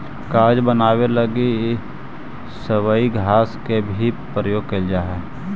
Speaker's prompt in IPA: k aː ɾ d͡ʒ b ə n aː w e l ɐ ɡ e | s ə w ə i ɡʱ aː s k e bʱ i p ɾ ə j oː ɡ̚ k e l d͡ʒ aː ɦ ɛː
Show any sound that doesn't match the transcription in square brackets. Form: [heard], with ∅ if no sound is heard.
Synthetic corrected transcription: k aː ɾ d͡ʒ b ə n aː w e l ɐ ɡ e | s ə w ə i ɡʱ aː s k e bʱ i p ɾ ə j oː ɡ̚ k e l d͡ʒ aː ɦ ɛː